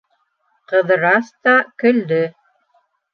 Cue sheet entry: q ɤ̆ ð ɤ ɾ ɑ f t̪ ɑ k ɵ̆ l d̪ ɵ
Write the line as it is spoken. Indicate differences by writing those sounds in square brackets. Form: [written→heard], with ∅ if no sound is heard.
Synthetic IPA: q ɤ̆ ð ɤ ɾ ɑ [f→s] t̪ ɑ k ɵ̆ l d̪ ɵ